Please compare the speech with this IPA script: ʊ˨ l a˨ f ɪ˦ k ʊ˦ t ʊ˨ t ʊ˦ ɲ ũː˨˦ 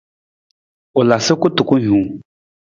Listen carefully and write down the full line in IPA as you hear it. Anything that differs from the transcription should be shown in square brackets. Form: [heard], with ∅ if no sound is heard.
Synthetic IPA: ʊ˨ l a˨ [s] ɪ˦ k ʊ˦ t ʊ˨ [k] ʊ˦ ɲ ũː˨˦